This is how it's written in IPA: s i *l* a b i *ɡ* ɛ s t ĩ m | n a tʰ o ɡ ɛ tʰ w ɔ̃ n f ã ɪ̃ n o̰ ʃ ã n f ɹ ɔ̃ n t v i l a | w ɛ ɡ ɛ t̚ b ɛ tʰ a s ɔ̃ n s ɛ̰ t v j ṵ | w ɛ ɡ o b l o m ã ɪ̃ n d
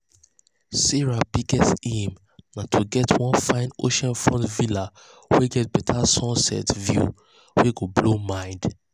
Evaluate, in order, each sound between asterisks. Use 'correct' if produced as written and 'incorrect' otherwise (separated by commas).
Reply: incorrect, correct